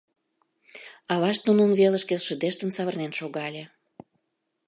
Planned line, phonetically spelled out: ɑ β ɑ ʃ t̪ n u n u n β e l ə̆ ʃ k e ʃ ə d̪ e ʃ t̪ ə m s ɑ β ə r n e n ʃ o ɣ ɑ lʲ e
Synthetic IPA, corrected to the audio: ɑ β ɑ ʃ t̪ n u n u n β e l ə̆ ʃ k e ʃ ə d̪ e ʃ t̪ ə n s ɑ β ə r n e n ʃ o ɣ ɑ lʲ e